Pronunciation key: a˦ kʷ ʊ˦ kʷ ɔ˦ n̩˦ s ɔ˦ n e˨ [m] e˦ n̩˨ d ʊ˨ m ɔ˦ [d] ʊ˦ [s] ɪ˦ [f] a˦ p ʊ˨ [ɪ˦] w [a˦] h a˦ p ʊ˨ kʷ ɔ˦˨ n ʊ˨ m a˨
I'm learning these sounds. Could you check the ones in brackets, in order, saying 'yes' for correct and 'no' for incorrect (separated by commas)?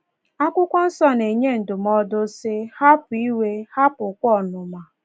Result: no, yes, yes, no, no, no